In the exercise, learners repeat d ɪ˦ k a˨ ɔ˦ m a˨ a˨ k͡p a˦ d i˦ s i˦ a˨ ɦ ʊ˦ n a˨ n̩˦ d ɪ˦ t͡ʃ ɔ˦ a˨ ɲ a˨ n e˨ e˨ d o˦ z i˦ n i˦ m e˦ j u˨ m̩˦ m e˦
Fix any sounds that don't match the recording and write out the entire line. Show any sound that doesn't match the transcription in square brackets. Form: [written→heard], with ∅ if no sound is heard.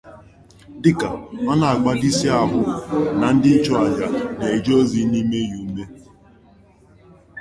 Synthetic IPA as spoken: d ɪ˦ k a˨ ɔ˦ [m→n] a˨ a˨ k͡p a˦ d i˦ s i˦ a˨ ɦ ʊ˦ n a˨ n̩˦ d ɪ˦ t͡ʃ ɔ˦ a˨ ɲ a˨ n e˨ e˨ [d→d͡ʒ] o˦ z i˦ n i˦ m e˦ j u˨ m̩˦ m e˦

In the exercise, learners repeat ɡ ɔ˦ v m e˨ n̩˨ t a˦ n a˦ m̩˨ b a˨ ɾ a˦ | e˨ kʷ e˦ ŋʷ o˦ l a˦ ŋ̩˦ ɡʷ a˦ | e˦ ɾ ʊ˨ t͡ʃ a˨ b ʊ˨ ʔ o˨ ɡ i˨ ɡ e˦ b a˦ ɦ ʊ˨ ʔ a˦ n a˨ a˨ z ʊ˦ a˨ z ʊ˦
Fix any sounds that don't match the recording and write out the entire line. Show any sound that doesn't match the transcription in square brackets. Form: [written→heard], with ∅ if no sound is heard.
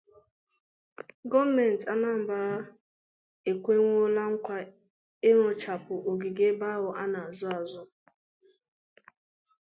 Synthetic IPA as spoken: ɡ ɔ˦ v m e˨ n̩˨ t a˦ n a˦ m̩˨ b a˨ ɾ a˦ | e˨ kʷ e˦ ŋʷ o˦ l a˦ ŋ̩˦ [ɡʷ→kʷ] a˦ | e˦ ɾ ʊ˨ t͡ʃ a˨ [b→p] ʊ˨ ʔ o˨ ɡ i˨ ɡ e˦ b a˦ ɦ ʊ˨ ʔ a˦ n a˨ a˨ z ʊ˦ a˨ z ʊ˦

